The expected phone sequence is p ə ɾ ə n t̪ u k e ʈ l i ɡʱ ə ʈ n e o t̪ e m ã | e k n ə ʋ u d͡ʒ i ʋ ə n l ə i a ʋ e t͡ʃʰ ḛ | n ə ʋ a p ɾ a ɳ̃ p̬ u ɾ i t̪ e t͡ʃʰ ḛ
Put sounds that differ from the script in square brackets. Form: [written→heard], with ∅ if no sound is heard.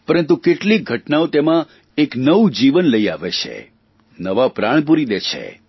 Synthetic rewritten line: p ə ɾ ə n t̪ u k e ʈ l i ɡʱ ə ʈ n [e→a] o t̪ e m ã | e k n ə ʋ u d͡ʒ i ʋ ə n l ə i a ʋ e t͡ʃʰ ḛ | n ə ʋ a p ɾ a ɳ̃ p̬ u ɾ i [t̪→d̪] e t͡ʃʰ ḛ